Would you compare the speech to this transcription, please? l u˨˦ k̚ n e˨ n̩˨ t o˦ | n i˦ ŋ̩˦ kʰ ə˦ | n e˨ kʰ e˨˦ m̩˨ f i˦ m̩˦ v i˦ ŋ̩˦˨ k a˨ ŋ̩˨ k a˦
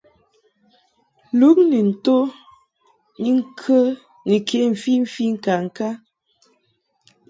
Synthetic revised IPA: l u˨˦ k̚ n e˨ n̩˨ t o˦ | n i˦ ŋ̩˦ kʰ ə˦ | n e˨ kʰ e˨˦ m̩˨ f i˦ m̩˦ f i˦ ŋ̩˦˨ k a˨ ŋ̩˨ k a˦